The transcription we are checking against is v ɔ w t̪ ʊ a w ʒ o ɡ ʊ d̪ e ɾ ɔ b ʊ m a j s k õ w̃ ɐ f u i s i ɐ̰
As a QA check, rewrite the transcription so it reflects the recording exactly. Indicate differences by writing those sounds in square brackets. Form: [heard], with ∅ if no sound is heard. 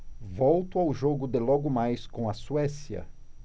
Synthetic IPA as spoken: v ɔ w t̪ ʊ a w ʒ o ɡ ʊ d̪ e [l] ɔ [ɡ] ʊ m a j s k õ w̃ ɐ [s] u [ɛ] s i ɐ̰